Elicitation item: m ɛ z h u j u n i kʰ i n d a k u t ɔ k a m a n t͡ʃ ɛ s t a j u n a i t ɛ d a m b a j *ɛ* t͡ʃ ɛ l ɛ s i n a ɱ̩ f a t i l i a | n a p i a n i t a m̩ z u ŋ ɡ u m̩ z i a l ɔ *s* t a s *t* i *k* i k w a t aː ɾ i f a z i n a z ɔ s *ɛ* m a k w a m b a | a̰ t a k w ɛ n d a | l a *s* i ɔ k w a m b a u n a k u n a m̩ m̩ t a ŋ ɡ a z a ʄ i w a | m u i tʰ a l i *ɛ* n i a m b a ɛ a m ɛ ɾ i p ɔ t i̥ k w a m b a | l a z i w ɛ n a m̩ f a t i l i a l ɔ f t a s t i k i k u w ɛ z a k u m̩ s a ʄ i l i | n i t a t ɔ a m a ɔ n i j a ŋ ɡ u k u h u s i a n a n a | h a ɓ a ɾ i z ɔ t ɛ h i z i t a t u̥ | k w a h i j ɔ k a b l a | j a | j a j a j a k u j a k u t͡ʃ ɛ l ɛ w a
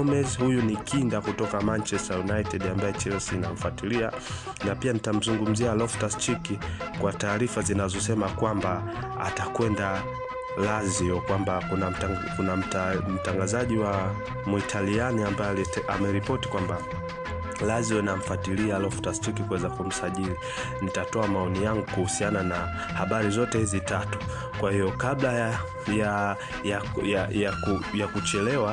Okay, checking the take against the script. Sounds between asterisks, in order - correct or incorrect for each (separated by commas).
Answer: correct, incorrect, incorrect, correct, correct, incorrect, incorrect